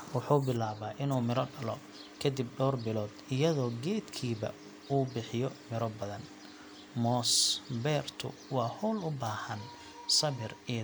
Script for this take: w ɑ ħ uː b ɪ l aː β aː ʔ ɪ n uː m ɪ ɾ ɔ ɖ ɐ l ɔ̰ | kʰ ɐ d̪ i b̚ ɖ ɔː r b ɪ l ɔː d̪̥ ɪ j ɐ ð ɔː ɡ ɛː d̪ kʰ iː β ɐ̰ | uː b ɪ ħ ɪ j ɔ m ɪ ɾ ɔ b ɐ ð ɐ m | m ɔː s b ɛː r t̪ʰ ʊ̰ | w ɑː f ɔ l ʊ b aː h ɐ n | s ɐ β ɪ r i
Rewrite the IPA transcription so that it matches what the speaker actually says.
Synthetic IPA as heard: w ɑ ħ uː b ɪ l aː β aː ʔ ɪ n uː m ɪ ɾ ɔ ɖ ɐ l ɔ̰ | kʰ ɐ d̪ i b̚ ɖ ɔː r b ɪ l ɔː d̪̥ ɪ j ɐ ð ɔː ɡ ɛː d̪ kʰ iː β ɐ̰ | uː b ɪ ħ ɪ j ɔ m ɪ ɾ ɔ b ɐ ð ɐ n | m ɔː s b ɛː r t̪ʰ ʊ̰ | w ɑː h ɔ l ʊ b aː h ɐ n | s ɐ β ɪ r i